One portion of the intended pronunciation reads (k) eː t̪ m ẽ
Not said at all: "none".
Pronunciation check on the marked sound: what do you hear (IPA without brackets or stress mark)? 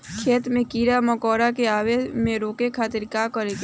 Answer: kʰ